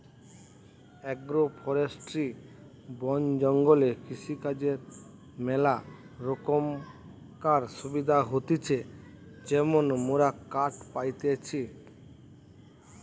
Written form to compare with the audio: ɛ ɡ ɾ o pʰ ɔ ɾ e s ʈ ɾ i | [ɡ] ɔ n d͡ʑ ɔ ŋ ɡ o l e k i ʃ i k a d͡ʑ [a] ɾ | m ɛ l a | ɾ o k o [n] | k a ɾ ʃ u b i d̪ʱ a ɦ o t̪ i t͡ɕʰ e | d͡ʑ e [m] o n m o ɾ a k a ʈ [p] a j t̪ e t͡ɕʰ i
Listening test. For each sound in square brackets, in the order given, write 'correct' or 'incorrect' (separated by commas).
incorrect, incorrect, incorrect, correct, correct